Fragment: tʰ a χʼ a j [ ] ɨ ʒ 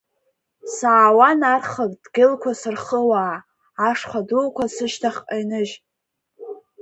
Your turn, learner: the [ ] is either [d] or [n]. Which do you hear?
n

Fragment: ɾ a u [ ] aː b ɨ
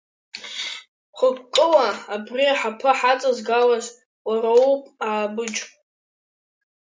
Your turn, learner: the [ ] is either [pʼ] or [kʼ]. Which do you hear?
pʼ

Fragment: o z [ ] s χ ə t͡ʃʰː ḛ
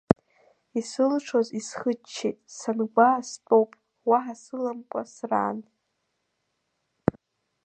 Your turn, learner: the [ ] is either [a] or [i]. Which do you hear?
i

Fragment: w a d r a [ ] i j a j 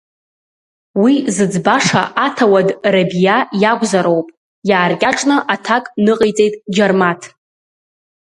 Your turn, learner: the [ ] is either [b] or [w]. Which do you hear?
b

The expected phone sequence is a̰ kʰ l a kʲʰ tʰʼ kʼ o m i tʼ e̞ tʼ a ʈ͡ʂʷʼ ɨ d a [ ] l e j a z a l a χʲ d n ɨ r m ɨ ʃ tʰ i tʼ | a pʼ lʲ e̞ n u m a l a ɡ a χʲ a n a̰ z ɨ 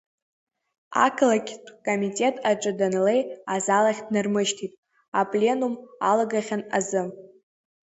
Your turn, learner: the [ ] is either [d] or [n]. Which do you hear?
n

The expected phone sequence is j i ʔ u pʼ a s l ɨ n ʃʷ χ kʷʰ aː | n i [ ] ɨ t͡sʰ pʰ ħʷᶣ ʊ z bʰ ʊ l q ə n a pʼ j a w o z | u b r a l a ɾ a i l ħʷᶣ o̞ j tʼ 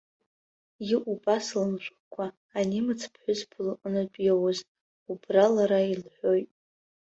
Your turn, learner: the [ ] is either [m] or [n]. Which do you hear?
m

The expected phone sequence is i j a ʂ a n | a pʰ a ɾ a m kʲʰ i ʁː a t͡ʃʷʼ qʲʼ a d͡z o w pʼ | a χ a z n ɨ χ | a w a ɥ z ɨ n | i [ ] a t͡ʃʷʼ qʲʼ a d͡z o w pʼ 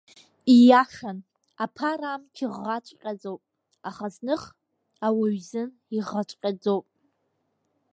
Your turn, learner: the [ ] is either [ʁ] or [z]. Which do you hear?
ʁ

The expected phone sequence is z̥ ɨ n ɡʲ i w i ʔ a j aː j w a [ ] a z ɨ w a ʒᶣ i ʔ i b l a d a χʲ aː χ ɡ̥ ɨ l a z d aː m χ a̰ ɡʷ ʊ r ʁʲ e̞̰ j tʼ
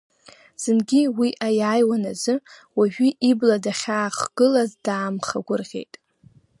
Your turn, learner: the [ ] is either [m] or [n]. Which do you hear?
n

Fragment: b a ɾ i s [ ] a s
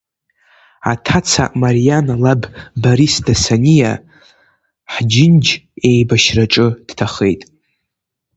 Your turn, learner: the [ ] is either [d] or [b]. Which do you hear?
d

